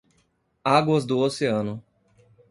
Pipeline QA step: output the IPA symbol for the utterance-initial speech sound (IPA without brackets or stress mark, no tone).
a